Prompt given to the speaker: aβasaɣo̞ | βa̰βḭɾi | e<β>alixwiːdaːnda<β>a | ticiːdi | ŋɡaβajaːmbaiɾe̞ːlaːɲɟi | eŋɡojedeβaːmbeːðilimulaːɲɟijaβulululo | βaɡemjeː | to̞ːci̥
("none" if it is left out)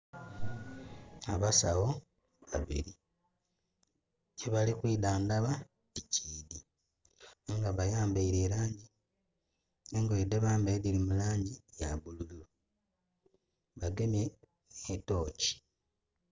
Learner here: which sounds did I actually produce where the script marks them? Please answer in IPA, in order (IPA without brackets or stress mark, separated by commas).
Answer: β, β